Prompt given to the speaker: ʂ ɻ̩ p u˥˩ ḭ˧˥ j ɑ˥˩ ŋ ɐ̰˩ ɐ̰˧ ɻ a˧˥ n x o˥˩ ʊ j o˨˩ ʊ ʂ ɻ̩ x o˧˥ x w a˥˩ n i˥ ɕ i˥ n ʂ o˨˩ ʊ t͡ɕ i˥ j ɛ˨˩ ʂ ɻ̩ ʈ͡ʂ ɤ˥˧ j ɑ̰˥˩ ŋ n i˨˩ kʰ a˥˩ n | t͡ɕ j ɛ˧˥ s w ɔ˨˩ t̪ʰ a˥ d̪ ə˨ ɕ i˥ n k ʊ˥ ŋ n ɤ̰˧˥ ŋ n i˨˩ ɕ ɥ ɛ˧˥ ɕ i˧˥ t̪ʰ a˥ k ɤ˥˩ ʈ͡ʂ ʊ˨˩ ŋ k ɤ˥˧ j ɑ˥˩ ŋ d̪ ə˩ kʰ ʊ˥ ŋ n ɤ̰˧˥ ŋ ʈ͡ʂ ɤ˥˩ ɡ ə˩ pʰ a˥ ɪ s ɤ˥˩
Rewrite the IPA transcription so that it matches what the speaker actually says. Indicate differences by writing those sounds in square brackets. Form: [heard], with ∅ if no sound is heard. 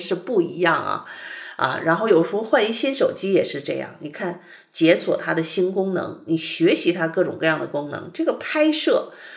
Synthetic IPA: ʂ ɻ̩ p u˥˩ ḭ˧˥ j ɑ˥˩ ŋ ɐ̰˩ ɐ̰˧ ɻ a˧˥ n x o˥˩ ʊ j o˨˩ ʊ ʂ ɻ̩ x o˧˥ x w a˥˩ n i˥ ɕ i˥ n ʂ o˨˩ ʊ t͡ɕ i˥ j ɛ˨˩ ʂ ɻ̩ ʈ͡ʂ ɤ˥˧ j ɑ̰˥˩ ŋ n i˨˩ kʰ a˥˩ n | t͡ɕ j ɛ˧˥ s w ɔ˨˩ t̪ʰ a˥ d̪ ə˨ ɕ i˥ n k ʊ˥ ŋ n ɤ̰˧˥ ŋ n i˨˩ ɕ ɥ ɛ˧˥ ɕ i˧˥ t̪ʰ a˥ k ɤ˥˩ ʈ͡ʂ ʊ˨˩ ŋ k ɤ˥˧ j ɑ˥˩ ŋ d̪ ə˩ [k] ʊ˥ ŋ n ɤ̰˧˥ ŋ ʈ͡ʂ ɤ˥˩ ɡ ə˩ pʰ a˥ ɪ [ʂ] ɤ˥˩